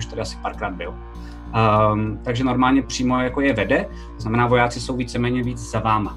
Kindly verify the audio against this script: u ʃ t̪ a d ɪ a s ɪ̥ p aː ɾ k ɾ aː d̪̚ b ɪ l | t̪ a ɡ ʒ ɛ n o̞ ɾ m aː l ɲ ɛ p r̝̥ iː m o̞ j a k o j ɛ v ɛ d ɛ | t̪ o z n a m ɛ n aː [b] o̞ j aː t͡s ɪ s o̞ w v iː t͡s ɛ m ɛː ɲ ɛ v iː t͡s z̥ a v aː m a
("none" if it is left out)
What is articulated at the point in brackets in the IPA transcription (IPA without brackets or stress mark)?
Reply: v